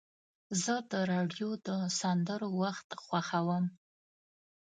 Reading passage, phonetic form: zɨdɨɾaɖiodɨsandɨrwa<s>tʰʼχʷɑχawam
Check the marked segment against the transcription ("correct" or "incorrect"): incorrect